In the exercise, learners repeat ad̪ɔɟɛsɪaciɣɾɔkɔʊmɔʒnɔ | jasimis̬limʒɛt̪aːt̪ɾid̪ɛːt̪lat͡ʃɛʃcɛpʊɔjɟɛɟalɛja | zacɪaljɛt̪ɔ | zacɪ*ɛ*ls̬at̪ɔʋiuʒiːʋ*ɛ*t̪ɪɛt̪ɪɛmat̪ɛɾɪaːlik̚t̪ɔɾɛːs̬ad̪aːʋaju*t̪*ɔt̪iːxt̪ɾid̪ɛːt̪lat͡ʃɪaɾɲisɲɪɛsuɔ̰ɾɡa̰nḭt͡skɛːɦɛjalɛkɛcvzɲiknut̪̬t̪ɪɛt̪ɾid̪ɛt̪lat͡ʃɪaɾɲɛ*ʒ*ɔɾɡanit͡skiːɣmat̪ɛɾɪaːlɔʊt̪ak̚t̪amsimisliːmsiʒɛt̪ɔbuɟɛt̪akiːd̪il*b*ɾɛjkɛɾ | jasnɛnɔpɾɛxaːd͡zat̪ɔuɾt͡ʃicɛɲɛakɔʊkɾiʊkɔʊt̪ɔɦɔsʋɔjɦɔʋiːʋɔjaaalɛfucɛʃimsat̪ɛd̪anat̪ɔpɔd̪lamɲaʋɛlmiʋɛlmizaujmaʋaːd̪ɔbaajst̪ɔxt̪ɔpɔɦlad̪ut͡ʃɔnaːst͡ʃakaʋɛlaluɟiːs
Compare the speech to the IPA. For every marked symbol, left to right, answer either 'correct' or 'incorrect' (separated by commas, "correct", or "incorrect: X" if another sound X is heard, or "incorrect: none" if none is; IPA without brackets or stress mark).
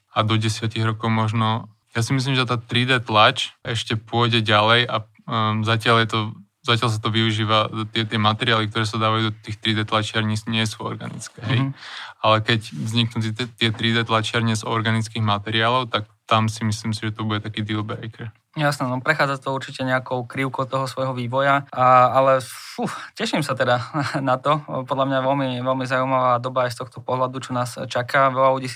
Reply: incorrect: a, incorrect: a, incorrect: d̪, incorrect: z, correct